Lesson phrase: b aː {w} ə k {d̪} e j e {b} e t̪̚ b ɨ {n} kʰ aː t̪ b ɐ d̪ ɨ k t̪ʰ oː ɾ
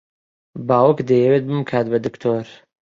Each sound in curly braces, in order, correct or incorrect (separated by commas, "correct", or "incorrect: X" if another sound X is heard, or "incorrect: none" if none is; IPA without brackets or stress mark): correct, correct, incorrect: w, incorrect: m